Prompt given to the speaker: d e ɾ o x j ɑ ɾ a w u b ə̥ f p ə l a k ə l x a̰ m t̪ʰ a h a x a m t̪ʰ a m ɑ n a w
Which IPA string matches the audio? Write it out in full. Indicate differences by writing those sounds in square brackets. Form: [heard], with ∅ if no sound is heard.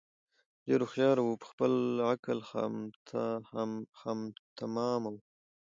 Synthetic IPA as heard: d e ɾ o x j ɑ ɾ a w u [p] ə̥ [x] p ə l a k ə l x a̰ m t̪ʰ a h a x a m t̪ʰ a m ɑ [m] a w